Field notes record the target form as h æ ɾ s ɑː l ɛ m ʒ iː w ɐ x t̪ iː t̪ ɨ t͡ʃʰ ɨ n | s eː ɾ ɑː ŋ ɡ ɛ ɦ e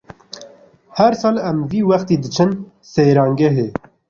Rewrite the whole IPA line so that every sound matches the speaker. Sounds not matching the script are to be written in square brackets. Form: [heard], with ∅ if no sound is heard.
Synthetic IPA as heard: h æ ɾ s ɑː l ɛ m [v] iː w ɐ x t̪ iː [d̪] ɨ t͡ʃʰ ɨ n | s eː ɾ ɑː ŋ ɡ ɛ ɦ e